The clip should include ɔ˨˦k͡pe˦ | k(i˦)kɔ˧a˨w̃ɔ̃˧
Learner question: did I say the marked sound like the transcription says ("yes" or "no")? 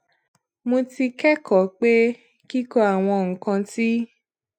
yes